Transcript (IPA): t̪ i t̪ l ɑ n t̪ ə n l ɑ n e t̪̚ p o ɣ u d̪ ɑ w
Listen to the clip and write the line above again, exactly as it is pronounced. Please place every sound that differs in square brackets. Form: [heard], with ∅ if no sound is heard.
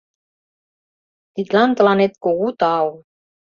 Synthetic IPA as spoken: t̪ i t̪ l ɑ n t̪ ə [∅] l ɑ n e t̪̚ [k] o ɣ u [t̪] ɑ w